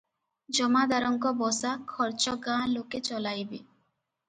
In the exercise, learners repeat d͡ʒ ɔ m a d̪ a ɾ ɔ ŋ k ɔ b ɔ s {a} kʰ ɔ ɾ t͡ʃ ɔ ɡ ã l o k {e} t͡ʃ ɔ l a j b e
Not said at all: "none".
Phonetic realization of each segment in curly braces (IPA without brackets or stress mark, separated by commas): a, e